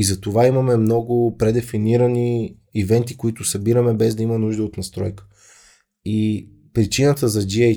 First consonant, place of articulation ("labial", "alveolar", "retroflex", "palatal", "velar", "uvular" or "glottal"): alveolar